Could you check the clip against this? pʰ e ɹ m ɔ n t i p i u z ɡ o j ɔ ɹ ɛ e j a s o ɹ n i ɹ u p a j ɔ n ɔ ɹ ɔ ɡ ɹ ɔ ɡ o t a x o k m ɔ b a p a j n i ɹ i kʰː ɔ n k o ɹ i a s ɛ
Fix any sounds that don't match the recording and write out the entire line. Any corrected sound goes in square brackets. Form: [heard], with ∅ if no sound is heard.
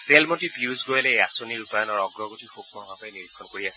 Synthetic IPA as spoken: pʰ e [l] m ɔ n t i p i u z ɡ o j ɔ [l] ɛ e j a s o [∅] n i ɹ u p a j ɔ n ɔ ɹ ɔ ɡ ɹ ɔ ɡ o t [i] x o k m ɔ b a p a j n i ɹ i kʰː ɔ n k o ɹ i a s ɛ

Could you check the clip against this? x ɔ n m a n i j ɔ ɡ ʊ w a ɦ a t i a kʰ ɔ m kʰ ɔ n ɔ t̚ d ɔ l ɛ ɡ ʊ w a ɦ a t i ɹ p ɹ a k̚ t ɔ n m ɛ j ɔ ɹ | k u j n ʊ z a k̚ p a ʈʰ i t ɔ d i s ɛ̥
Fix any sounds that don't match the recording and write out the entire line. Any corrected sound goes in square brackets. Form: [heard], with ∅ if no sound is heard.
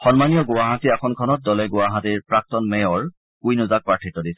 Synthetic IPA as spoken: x ɔ n m a n i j ɔ ɡ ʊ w a ɦ a t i a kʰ ɔ [n] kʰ ɔ n ɔ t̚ d ɔ l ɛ ɡ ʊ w a ɦ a t i ɹ p ɹ a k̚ t ɔ n m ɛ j ɔ ɹ | k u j n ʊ z a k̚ p a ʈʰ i t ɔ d i s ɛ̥

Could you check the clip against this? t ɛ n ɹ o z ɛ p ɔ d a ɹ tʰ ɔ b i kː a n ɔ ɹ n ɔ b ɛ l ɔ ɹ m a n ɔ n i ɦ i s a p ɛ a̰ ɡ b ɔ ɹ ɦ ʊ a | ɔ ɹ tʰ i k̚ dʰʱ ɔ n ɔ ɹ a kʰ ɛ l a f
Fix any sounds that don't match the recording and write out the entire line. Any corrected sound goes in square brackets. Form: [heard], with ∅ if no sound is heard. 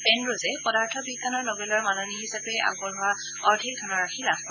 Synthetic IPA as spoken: [p] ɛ n ɹ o z ɛ p ɔ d a ɹ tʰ ɔ b i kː a n ɔ ɹ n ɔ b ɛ l ɔ ɹ m a n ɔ n i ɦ i s a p ɛ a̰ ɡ b ɔ ɹ ɦ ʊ a | ɔ ɹ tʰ i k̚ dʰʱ ɔ n ɔ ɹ a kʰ [i] l a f

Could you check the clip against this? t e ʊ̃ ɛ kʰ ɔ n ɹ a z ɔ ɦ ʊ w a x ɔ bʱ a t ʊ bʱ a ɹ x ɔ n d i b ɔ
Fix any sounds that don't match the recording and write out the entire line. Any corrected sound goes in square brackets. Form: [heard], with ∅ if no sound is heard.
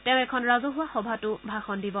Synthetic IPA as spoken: t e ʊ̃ ɛ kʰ ɔ n ɹ a z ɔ ɦ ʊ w a x ɔ bʱ a t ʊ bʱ a [∅] x ɔ n d i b ɔ

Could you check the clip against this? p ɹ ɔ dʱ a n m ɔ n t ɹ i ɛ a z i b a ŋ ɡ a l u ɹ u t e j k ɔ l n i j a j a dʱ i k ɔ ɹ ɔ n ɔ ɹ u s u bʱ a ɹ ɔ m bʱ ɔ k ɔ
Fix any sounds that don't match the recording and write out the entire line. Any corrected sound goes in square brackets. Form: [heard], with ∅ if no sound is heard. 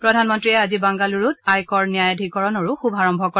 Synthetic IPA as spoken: p ɹ ɔ dʱ a n m ɔ n t ɹ i ɛ a z i b a ŋ ɡ a l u ɹ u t [a] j k ɔ [ɹ] n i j a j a dʱ i k ɔ ɹ ɔ n ɔ ɹ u [x] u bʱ a ɹ ɔ m bʱ ɔ k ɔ

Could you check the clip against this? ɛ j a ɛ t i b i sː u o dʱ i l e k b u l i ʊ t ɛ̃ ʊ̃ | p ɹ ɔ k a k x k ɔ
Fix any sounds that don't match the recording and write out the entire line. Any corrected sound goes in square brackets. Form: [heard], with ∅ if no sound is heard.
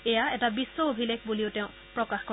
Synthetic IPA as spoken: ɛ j a ɛ t [a] b i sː [ɔ] o [bʱ] i l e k b u l i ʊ t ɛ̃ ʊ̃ | p ɹ ɔ k a [∅] x k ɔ

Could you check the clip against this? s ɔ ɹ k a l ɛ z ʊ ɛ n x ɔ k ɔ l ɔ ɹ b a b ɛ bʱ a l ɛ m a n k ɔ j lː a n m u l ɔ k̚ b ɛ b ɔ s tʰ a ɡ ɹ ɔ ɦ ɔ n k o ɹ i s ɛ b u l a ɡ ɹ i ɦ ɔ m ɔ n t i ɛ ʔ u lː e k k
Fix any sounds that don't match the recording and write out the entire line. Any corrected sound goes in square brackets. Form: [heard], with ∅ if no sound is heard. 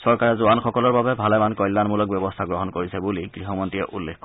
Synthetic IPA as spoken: s ɔ ɹ k a [ɹ] ɛ z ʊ [a] n x ɔ k ɔ l ɔ ɹ b a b ɛ bʱ a l ɛ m a n k ɔ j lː a n m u l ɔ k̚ b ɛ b ɔ s tʰ a ɡ ɹ ɔ ɦ ɔ n k o ɹ i s ɛ b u l [i] ɡ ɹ i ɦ ɔ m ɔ n t i ɛ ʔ u lː e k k

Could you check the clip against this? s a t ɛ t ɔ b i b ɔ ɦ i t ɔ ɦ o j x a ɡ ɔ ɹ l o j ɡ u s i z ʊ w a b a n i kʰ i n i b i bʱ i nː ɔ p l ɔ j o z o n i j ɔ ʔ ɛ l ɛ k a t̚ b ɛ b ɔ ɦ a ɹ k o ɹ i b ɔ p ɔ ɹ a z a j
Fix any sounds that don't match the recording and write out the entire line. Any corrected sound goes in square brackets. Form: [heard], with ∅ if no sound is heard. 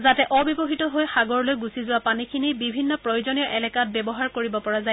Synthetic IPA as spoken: [z] a t ɛ [ʔ] ɔ b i b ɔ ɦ i t ɔ ɦ o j x a ɡ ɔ ɹ l o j ɡ u s i z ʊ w a [p] a n i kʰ i n i b i bʱ i nː ɔ p [ɹ] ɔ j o z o n i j ɔ ʔ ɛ l ɛ k a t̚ b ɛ b ɔ ɦ a ɹ k o ɹ i b ɔ p ɔ ɹ a z a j

